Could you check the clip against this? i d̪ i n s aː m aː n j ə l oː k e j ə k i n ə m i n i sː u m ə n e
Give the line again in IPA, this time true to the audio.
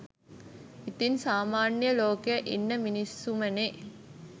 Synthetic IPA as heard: i t̪ i n s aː m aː n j ə l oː k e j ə ʔ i nː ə m i n i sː u m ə n e